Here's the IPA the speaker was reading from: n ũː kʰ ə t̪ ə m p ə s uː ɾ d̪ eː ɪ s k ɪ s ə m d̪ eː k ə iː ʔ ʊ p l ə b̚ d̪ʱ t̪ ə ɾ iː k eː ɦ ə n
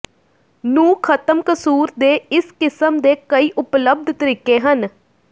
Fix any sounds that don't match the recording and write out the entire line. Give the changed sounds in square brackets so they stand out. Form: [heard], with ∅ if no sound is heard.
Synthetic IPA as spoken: n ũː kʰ ə t̪ ə m [k] ə s uː ɾ d̪ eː ɪ s k ɪ s ə m d̪ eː k ə iː ʔ ʊ p l ə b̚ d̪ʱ t̪ ə ɾ iː k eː ɦ ə n